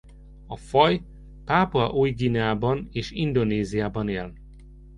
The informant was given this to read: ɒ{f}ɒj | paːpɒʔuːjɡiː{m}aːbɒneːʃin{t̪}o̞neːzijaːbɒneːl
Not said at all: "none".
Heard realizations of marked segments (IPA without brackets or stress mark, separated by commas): f, n, d̪